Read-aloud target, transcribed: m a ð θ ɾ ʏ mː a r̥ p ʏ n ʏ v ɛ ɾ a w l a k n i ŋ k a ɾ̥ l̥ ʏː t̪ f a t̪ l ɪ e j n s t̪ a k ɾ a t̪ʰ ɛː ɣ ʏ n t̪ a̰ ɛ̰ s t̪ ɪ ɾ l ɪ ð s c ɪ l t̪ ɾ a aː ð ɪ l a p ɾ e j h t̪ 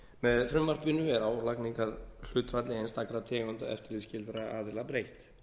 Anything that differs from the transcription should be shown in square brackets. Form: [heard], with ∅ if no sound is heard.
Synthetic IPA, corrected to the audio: m [ɛ] ð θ ɾ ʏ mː a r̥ p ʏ n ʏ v ɛ ɾ a w l a k n i ŋ k a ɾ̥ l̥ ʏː t̪ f a t̪ l ɪ e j n s t̪ a k ɾ a t̪ʰ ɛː ɣ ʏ n t̪ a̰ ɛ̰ [f] t̪ ɪ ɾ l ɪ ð s c ɪ l t̪ ɾ a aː ð ɪ l a p ɾ e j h t̪